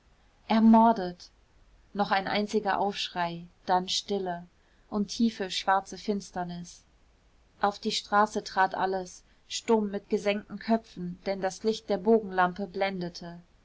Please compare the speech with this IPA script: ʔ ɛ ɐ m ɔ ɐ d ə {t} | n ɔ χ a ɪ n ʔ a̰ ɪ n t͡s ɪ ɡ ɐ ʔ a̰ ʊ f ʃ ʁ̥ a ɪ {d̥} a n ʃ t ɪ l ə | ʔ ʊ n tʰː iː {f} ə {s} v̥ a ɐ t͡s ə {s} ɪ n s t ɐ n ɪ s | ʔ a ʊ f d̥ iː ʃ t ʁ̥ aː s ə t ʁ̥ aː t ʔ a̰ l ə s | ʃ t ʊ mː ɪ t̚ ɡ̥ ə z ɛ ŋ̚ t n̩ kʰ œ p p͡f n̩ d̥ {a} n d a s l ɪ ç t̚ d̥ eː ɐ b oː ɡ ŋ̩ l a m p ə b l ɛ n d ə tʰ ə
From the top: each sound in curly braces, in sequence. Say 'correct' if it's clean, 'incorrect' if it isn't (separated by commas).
correct, correct, correct, incorrect, incorrect, incorrect